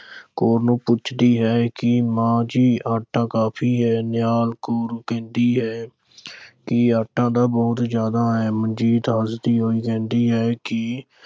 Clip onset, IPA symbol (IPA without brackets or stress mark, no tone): k